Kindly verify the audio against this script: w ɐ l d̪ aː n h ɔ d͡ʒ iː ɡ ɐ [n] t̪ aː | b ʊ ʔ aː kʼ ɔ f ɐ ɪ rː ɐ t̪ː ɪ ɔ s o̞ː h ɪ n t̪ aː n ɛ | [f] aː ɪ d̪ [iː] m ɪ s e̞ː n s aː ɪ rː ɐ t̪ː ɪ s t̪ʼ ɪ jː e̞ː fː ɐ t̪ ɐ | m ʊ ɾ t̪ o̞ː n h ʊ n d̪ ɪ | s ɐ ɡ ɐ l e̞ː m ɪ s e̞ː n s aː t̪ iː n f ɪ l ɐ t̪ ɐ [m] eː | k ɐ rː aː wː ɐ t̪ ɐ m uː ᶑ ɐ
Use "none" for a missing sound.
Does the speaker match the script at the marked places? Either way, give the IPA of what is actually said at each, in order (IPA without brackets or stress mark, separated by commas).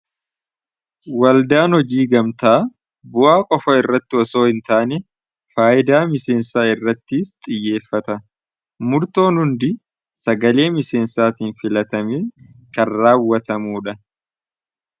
m, f, aː, m